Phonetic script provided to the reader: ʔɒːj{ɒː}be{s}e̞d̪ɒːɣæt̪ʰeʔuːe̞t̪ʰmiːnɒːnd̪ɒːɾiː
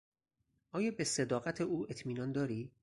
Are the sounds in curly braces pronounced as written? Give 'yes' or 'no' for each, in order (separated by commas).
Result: yes, yes